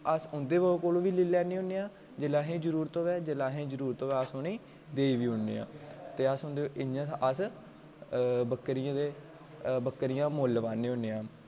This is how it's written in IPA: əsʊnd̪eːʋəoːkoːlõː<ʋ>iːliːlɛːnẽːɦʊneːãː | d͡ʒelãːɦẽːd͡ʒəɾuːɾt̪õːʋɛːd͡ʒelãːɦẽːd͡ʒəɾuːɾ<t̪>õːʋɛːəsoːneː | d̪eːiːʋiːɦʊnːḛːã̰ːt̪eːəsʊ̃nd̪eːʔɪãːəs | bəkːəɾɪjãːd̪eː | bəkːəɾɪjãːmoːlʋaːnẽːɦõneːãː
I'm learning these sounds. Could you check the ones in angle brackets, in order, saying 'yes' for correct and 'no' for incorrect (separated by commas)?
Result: yes, yes